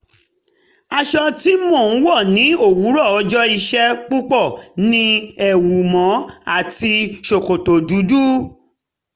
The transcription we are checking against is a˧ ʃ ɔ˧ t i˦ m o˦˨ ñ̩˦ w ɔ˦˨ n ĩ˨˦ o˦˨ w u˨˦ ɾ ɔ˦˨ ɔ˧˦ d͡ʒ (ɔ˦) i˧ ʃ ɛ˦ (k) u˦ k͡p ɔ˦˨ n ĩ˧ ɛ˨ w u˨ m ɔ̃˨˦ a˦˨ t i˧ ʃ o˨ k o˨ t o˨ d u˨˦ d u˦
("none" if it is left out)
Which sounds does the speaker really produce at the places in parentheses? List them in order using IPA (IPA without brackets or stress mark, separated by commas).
ɔ˦, k͡p